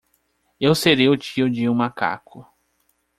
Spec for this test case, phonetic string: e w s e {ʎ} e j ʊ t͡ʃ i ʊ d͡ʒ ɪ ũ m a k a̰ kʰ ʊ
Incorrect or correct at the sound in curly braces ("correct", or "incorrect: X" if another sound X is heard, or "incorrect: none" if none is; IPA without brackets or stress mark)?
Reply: incorrect: ɾ